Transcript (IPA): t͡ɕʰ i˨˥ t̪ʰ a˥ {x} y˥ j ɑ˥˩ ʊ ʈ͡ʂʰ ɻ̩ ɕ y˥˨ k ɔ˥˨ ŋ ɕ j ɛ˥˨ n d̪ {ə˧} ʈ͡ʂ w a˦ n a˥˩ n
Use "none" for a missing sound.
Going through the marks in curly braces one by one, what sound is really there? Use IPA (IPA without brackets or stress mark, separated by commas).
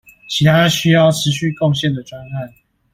ɕ, ə˩